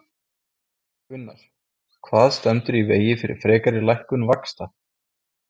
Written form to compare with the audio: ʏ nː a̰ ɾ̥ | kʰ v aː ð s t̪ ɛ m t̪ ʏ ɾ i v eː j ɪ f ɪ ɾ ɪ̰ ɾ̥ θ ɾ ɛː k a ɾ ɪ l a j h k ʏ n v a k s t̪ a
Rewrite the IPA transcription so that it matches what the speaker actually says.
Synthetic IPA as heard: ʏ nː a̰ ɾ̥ | kʰ v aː ð s t̪ ɛ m t̪ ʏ ɾ i v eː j ɪ f ɪ ɾ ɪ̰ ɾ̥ f ɾ ɛː k a ɾ ɪ l a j h k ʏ n v a k s t̪ a

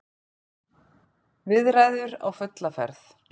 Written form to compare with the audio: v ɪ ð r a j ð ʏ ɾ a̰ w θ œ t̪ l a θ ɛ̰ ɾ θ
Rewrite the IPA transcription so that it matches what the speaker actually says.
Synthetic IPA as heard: v ɪ ð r a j ð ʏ ɾ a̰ w f œ t̪ l a f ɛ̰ ɾ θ

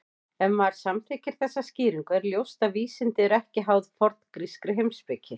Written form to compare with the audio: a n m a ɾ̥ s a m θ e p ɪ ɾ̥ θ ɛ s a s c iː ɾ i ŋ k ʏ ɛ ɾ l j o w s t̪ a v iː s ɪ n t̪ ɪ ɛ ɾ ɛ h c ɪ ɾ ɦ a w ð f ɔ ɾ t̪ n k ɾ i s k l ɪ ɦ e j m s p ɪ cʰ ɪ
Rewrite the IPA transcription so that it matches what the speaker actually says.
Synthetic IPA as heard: ɛ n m a ɾ̥ s a m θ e c ɪ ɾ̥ θ ɛ sː a s c iː ɾ i ŋ k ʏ ɛ ɾ l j o w s t̪ a v iː s ɪ n t̪ ɪ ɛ ɾ ɛ h c ɪ ɦ a w ð f ɔ ɾ t̪ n k ɾ i s k ɾ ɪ ɦ e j m s p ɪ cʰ ɪ

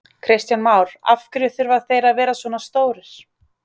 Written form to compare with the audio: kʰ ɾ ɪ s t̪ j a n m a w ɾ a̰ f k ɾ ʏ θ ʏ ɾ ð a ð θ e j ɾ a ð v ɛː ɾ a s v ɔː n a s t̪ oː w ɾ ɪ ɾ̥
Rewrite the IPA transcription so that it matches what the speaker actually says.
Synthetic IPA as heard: kʰ ɾ ɪ s t̪ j a n m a w ɾ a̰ f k ɾ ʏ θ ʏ ɾ v a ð θ e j ɾ a ð v ɛː ɾ a s v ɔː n a s t̪ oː w ɾ ɪ ɾ̥

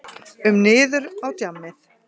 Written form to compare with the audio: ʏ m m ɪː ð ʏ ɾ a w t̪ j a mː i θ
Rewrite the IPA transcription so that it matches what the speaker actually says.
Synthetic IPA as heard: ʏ m n ɪː ð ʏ ɾ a w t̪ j a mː ɪ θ

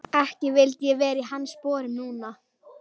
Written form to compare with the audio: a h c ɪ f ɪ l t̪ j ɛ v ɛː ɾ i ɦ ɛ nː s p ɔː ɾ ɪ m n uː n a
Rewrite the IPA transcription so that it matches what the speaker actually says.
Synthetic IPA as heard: ɛ h c ɪ v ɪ l t̪ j ɛ v ɛː ɾ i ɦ a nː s p ɔː ɾ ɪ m n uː n a

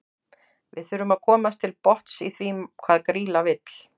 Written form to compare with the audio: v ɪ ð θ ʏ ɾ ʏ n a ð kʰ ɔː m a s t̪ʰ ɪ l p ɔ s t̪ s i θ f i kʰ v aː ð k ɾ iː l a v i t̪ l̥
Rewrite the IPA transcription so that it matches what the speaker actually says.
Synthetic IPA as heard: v ɪ ð θ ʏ ɾ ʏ m a ð kʰ ɔː m a s t̪ʰ ɪ l p ɔ h t̪ s i θ v i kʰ v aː ð k ɾ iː l a v ɪ t̪ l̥

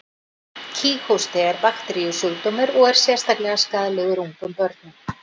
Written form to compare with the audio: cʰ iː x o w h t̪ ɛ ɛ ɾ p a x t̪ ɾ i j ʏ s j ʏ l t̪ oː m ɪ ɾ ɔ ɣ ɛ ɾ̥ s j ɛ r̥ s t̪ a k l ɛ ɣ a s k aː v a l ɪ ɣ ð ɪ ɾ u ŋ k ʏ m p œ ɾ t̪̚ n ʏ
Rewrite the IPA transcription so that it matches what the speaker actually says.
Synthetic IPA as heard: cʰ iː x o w s t̪ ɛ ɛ ɾ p a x t̪ ɾ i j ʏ s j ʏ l t̪ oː m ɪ ɾ ɔ ɣ ɛ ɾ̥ s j ɛ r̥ s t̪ a k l ɛ ɣ a s k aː ð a l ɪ ɣ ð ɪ ɾ u ŋ k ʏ m p œ ɾ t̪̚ n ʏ

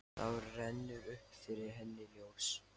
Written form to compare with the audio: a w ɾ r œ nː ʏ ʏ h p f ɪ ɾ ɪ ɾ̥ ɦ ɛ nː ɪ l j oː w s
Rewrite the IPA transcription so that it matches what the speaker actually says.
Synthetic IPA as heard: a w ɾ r ɛ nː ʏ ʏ h p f ɪ ɾ ɪ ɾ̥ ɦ ɛ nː ɪ l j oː w s

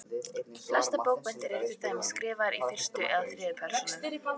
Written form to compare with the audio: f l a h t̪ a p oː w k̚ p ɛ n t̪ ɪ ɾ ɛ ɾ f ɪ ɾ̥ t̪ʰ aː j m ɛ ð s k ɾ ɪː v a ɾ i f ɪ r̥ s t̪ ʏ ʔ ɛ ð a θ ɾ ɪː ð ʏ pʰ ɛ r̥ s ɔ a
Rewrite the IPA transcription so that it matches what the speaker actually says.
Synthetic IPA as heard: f l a s t̪ a p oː w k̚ p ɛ n t̪ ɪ ɾ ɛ ɾ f ɪ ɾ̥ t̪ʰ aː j m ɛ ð s k ɾ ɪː v a ɾ i f ɪ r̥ s t̪ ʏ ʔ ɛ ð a θ ɾ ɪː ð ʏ pʰ ɛ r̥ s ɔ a

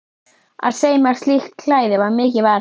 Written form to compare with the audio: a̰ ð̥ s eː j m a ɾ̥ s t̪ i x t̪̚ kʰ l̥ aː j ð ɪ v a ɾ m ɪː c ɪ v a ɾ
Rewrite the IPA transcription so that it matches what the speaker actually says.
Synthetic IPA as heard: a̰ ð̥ s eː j m a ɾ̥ s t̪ i x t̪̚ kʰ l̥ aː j ð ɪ v a ɾ m ɪː c ɪ v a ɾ

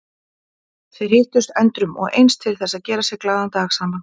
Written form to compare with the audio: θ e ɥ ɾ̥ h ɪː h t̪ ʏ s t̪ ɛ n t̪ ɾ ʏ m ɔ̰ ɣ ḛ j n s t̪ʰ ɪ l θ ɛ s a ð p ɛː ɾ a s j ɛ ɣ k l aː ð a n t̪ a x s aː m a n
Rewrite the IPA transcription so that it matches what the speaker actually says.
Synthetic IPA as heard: θ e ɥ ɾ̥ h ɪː h t̪ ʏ s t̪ ɛ n t̪ ɾ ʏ m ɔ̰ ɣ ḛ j n s t̪ʰ ɪ l θ ɛ s a ð c ɛː ɾ a s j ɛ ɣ k l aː ð a n t̪ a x s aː m a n

